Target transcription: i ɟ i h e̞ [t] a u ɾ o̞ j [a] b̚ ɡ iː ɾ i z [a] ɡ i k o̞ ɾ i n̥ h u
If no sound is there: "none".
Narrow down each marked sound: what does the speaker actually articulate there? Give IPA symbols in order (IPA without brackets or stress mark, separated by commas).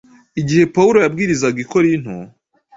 p, a, a